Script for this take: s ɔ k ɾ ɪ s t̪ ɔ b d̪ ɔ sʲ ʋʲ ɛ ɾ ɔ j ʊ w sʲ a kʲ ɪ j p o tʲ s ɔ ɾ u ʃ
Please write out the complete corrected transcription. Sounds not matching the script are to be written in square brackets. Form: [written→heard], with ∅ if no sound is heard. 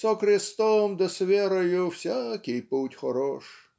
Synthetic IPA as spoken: s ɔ k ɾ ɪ s t̪ ɔ [b→m] d̪ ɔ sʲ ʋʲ ɛ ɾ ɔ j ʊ w sʲ a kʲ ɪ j p [o→u] tʲ [s→x] ɔ ɾ [u→ɔ] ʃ